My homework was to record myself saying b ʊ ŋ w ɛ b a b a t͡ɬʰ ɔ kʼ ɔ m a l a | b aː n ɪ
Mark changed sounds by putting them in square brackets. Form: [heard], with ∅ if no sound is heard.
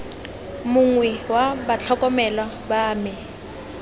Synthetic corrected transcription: [m] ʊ ŋ w ɛ [w] a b a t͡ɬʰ ɔ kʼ ɔ m [ɛ] l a | b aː [m] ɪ